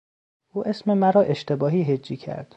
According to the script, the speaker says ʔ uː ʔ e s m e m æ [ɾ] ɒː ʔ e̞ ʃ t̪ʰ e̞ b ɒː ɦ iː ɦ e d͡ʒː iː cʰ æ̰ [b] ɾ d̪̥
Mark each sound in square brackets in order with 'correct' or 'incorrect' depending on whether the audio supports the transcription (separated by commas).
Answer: correct, incorrect